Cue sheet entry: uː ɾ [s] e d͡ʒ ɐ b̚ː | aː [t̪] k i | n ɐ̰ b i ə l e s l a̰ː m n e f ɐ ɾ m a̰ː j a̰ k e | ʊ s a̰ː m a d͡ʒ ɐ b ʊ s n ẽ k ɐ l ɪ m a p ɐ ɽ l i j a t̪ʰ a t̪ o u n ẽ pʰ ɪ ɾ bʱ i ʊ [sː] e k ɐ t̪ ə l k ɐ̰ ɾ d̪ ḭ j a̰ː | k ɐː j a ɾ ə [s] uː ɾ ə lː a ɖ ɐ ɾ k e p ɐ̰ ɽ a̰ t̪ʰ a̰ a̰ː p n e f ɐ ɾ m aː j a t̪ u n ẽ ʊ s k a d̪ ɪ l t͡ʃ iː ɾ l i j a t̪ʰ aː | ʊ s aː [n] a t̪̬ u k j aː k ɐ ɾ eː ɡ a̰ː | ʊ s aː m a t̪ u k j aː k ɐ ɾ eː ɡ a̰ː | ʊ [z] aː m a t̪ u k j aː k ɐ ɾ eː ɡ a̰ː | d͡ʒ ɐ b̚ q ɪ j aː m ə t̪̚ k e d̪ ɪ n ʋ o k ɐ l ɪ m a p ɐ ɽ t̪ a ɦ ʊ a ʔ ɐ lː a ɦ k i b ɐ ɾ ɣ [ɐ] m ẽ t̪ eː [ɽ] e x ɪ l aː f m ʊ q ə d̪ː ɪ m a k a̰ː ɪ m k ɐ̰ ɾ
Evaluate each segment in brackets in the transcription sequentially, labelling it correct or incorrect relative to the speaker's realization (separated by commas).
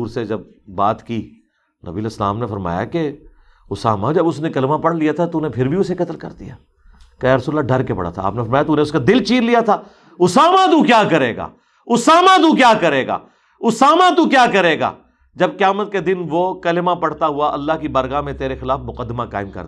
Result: correct, correct, incorrect, correct, incorrect, incorrect, incorrect, incorrect